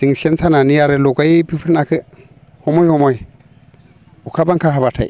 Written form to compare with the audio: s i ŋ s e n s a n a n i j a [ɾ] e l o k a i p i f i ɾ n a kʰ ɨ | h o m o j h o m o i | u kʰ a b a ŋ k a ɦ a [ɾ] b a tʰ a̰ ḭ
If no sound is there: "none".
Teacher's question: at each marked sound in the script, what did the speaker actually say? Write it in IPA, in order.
ɾ, none

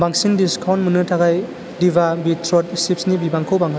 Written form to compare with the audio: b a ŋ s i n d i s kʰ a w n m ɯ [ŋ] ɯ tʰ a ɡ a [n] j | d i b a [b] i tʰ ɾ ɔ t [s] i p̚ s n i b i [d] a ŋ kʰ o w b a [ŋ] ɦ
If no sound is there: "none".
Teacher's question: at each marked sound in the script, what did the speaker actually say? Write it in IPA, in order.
n, none, b, s, b, ŋ

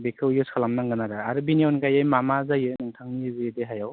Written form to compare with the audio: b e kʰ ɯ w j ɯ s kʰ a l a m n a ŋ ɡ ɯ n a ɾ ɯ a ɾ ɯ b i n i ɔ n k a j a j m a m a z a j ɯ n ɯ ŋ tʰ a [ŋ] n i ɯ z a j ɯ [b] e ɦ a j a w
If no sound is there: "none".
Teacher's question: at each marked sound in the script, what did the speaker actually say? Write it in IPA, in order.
ŋ, d

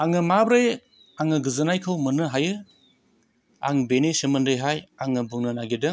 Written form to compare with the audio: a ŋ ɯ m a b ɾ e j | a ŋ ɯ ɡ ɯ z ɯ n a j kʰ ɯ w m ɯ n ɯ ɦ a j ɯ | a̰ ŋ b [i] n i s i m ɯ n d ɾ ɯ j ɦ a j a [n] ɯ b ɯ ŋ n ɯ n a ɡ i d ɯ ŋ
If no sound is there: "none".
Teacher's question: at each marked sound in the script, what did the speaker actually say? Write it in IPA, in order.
e, ŋ

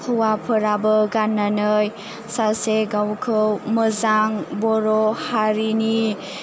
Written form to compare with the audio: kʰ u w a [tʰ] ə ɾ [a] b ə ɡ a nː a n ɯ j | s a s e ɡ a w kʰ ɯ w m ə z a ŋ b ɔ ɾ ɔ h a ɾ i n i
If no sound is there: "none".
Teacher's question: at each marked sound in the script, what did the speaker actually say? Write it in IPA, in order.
pʰ, a

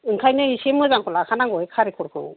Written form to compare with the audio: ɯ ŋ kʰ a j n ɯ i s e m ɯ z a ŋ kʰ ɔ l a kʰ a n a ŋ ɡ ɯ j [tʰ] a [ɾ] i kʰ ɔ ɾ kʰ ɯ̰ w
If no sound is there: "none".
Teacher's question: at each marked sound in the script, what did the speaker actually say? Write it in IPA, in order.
kʰ, ɾ

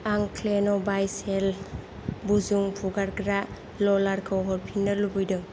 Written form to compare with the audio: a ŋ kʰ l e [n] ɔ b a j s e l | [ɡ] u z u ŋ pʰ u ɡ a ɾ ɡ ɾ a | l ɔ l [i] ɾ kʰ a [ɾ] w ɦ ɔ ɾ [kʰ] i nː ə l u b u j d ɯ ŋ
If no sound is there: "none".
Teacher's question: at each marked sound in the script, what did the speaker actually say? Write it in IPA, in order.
n, b, a, none, pʰ

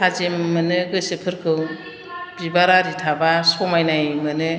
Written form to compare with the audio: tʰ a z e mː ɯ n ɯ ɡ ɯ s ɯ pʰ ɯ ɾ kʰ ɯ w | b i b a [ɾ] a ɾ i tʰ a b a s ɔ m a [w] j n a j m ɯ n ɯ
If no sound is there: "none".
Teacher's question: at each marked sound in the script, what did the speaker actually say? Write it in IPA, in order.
ɾ, none

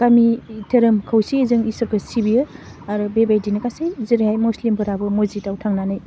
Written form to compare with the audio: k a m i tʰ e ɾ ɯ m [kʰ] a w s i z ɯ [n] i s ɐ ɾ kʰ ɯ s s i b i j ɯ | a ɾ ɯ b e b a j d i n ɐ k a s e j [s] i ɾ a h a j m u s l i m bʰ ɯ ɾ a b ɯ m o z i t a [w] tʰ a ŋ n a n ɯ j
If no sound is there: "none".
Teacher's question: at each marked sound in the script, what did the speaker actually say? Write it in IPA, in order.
kʰ, ŋ, z, w

